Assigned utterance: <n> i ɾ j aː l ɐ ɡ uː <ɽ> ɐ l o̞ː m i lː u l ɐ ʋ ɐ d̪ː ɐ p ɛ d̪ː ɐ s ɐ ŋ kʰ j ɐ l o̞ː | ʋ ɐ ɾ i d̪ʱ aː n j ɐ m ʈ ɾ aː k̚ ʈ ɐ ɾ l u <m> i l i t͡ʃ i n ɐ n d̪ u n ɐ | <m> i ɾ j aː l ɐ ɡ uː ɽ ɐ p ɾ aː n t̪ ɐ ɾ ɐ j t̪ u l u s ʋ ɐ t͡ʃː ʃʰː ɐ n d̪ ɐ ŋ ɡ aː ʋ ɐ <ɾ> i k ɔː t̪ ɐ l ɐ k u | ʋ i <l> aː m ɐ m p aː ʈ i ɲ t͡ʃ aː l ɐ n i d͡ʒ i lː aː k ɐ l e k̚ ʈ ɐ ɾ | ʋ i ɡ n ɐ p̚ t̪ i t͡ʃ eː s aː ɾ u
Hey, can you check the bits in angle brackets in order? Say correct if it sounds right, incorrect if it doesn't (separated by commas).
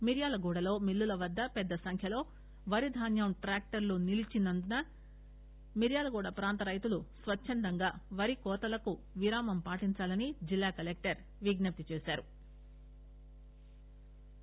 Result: incorrect, correct, incorrect, correct, correct, incorrect